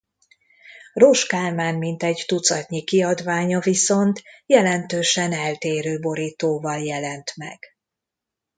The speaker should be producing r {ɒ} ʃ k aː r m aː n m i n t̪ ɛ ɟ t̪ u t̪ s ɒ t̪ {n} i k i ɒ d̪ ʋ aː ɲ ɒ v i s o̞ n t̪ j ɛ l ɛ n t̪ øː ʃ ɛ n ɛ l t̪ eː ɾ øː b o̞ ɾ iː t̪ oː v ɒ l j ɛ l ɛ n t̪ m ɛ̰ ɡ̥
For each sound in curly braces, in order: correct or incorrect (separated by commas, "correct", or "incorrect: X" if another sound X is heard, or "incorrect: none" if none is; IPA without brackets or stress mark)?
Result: incorrect: o, incorrect: ɲ